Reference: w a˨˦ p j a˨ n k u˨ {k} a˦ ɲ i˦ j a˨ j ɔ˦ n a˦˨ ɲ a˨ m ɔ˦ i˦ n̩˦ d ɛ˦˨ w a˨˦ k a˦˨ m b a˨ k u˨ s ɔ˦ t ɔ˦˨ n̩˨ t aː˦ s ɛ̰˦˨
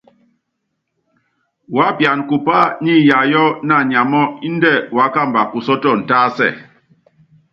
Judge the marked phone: incorrect: p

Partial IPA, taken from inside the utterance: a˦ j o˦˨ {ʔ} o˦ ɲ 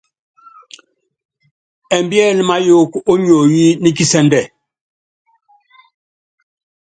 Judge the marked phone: incorrect: k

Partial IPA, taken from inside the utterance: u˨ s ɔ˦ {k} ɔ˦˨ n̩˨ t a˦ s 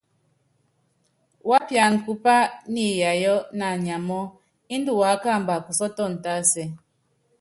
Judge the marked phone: incorrect: t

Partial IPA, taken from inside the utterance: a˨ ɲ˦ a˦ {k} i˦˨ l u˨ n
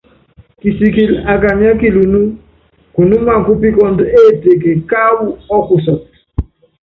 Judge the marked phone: correct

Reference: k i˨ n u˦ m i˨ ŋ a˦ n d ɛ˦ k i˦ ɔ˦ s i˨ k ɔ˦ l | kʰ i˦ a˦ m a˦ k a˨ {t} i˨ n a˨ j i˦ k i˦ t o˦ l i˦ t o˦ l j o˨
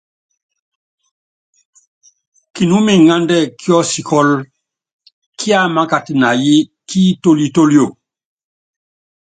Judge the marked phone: correct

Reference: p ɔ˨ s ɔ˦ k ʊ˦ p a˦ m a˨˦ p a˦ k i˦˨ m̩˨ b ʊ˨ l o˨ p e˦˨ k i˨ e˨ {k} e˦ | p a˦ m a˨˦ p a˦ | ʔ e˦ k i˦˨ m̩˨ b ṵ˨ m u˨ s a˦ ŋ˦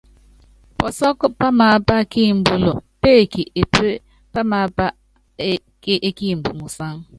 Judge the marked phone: incorrect: p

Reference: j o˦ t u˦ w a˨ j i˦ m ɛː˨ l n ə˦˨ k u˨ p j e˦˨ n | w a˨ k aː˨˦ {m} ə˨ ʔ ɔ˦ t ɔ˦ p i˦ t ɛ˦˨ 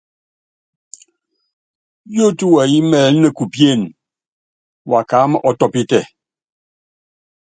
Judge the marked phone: correct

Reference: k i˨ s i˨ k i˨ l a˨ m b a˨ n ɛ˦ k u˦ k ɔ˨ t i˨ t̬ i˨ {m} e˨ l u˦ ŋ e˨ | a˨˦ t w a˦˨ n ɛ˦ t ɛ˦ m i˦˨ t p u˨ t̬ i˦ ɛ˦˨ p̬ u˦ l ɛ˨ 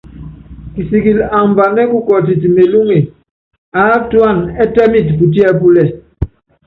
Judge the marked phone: correct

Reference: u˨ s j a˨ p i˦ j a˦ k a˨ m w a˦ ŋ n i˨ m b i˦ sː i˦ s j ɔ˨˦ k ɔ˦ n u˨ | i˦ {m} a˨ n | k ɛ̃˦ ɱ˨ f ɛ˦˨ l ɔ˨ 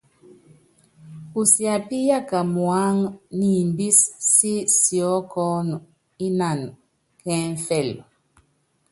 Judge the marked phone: incorrect: n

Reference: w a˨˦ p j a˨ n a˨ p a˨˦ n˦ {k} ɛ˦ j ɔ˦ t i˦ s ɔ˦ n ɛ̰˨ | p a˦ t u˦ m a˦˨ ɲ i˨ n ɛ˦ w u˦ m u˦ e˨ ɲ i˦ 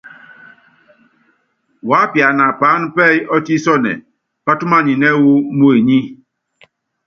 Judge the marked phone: incorrect: p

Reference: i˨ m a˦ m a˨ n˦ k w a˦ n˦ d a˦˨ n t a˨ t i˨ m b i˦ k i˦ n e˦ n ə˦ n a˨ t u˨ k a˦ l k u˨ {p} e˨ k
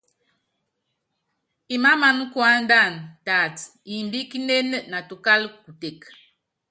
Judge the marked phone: incorrect: t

